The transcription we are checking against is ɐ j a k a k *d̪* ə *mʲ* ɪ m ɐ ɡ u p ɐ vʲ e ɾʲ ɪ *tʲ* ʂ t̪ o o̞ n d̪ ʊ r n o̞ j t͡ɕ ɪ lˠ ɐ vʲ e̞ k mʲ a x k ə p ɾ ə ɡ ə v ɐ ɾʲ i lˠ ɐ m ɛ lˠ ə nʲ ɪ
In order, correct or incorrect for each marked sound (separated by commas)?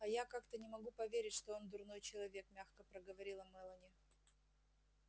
incorrect, incorrect, correct